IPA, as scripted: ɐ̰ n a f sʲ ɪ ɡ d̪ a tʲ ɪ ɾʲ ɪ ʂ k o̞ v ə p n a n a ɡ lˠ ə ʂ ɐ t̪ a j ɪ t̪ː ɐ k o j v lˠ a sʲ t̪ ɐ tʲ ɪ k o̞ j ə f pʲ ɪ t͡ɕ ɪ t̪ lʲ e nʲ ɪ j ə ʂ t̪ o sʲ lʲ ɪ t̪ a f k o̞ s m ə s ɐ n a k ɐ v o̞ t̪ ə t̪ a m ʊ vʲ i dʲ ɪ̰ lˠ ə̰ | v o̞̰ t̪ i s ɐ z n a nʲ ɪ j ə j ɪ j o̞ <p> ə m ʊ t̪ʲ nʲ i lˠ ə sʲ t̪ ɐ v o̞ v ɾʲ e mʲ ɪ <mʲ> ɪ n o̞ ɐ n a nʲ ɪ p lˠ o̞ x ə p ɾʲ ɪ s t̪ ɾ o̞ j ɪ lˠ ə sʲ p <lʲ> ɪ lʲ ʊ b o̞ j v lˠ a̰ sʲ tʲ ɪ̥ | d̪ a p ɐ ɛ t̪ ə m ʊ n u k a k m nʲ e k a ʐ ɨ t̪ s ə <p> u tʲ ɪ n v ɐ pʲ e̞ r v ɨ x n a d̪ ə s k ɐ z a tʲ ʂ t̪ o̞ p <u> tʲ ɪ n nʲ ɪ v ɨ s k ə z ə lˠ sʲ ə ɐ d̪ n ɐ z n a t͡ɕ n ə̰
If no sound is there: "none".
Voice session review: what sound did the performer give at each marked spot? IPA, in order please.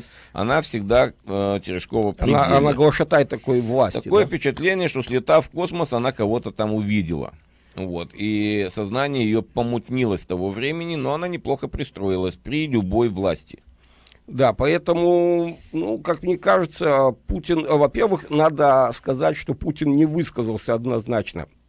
p, nʲ, ɾʲ, p, u

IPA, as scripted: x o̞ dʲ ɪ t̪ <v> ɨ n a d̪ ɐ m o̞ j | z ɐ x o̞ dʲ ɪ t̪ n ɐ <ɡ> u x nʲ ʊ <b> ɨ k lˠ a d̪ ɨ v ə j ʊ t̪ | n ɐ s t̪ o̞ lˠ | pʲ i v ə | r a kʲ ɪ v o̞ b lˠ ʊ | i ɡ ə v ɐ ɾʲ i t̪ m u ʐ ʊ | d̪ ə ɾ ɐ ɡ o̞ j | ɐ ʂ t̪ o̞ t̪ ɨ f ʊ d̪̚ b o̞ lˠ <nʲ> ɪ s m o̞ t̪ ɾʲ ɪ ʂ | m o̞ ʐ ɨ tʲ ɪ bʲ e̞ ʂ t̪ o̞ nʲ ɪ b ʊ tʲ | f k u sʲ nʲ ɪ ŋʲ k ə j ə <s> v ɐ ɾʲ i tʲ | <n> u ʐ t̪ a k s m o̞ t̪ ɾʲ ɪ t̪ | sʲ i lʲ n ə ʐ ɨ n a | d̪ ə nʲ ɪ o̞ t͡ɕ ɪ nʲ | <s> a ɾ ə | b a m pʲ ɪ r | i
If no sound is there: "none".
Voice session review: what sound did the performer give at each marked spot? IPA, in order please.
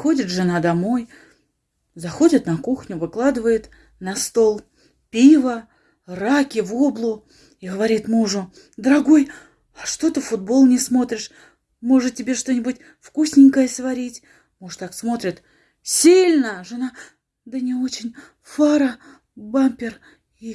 ʐ, k, v, nʲ, s, m, f

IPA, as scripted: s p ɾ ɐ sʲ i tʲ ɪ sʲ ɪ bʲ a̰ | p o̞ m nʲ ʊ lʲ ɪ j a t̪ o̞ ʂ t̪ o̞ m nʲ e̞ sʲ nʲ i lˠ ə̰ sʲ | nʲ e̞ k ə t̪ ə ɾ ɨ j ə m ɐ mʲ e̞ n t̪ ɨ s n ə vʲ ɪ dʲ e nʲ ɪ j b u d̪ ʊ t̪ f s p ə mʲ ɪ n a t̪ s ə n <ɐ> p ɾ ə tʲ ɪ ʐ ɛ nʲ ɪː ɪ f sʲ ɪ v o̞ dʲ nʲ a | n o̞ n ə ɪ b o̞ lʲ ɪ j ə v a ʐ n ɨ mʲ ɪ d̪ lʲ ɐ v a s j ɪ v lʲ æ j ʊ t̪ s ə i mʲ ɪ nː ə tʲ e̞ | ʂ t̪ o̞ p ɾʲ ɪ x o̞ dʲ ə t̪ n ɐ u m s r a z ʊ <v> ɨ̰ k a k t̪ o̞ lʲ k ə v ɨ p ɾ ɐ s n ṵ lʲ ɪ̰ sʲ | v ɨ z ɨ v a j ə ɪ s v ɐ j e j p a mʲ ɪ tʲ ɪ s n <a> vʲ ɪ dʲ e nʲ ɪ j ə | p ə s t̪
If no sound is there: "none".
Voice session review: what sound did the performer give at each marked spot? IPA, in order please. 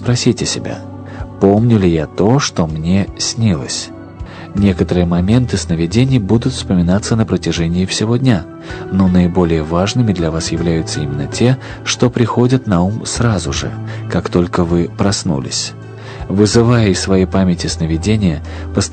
ə, ʐ, ə

